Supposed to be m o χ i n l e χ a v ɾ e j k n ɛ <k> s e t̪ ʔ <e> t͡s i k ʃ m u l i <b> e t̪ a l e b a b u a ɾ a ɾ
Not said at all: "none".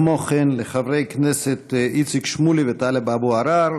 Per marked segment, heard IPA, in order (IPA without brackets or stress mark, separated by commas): none, i, v